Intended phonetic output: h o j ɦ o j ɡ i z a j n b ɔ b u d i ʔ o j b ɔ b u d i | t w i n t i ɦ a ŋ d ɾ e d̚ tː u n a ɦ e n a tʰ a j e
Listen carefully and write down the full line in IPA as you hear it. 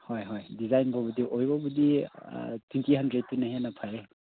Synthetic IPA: h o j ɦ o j d i z a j n b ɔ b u d i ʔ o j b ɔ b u d i | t w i n t i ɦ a n d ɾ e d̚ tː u n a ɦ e n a pʰ a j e